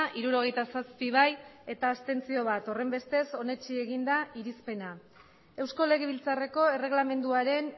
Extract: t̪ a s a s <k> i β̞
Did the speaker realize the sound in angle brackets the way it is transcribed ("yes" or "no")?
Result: no